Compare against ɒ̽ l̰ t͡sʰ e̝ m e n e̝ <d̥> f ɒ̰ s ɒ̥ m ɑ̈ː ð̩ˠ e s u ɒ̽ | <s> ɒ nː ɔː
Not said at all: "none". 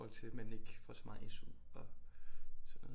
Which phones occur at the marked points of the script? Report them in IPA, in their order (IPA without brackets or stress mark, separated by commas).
ɡ̥, s